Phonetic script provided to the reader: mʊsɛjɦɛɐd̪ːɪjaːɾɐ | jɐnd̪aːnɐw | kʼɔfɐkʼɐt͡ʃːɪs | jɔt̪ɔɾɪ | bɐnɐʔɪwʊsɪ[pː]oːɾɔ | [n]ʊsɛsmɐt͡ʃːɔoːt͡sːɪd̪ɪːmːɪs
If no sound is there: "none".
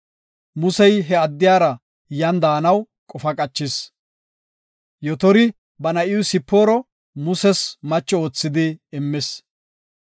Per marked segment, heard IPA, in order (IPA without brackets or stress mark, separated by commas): pː, m